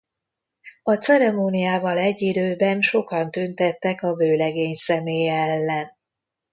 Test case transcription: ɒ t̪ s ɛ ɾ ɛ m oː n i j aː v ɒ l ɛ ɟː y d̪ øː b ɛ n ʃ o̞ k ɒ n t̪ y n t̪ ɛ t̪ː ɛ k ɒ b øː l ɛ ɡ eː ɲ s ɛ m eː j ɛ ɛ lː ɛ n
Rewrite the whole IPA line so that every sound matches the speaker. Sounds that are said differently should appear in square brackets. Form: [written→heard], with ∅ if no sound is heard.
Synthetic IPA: ɒ t̪ s ɛ ɾ ɛ m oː n i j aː v ɒ l ɛ ɟː [y→i] d̪ øː b ɛ n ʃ o̞ k ɒ n t̪ y n t̪ ɛ t̪ː ɛ k ɒ b øː l ɛ ɡ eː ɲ s ɛ m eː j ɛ ɛ lː ɛ n